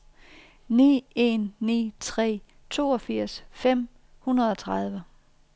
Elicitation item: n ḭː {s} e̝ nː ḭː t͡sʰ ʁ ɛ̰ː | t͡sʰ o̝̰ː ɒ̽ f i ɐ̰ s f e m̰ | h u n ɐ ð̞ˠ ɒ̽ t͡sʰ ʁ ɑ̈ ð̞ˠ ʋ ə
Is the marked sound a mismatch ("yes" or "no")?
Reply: yes